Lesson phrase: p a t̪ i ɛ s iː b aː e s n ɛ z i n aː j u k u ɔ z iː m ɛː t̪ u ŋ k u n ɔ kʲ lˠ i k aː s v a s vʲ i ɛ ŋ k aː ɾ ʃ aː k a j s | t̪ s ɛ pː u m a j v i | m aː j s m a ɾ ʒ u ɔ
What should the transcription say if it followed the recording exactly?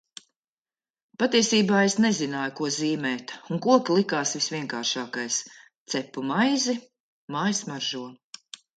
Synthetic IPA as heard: p a t̪ i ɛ s iː b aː e s n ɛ z i n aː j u k u ɔ z iː m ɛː t̪ u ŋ k u ɔ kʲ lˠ i k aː s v i s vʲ i ɛ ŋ k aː ɾ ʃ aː k a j s | t̪ s ɛ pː u m a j z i | m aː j s m a ɾ ʒ u ɔ